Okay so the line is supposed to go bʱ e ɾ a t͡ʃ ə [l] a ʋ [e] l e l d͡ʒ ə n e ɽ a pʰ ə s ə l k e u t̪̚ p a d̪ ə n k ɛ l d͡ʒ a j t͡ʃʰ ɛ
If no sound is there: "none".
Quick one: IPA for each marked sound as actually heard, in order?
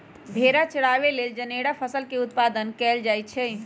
ɽ, e

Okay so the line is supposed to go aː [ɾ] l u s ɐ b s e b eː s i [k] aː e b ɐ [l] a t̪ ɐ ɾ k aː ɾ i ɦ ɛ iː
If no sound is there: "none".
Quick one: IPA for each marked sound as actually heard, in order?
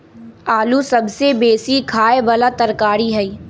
none, kʰ, l

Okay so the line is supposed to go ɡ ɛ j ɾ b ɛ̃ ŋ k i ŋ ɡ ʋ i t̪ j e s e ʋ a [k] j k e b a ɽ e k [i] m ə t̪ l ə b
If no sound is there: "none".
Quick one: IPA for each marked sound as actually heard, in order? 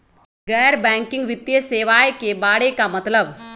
none, a

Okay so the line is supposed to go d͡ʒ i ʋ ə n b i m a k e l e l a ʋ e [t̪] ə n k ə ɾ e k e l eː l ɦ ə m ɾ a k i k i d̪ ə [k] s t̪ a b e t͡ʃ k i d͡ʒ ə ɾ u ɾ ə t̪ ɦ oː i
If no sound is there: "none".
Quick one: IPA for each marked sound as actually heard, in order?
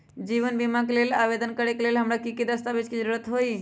d̪, none

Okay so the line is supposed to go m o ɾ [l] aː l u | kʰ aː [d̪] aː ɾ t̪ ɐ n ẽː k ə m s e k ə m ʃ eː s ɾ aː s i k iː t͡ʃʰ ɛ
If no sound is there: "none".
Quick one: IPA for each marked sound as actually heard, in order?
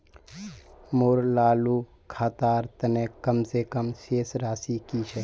l, t̪

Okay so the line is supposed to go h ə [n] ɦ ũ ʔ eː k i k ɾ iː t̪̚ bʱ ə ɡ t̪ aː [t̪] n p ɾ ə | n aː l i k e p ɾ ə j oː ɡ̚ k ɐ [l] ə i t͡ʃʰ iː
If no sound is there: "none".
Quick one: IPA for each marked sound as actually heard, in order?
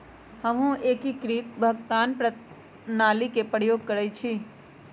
m, none, ɾ

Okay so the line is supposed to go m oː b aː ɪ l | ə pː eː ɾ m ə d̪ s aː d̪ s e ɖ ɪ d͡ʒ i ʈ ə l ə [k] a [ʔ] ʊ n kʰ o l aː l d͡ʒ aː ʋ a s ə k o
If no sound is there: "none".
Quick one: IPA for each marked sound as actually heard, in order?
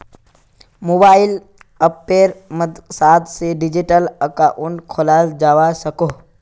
k, ʔ

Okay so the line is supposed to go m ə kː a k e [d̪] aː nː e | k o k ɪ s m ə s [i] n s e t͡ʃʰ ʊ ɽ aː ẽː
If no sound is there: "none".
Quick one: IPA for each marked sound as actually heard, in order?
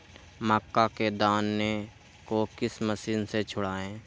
d̪, iː

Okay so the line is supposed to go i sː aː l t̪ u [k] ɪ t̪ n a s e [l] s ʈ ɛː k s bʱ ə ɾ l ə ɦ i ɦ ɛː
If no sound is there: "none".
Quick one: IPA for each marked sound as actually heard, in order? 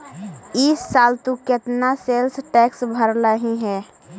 k, l

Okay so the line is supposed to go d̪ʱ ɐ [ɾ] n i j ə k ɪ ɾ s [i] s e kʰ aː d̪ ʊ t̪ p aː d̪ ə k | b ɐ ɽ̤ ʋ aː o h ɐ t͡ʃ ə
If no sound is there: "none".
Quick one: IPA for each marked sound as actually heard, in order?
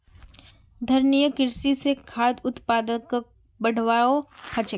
ɾ, i

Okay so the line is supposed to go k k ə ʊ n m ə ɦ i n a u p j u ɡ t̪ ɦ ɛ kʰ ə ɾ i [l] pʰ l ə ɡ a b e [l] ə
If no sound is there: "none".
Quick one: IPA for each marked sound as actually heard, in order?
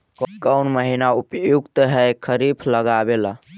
none, l

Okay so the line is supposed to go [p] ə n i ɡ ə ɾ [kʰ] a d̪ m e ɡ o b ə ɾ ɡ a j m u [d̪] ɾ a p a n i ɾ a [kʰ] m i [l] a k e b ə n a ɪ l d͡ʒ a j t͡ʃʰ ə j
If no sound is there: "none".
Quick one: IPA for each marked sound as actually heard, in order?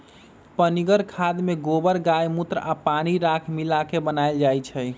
p, kʰ, t̪, kʰ, l

